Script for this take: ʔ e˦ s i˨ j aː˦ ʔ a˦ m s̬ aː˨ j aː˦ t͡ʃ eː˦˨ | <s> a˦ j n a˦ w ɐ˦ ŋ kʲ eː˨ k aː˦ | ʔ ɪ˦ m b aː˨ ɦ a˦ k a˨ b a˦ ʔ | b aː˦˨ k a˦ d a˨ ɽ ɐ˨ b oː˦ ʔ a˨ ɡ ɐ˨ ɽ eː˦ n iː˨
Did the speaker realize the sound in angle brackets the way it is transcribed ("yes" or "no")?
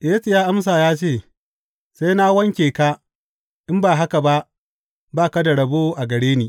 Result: yes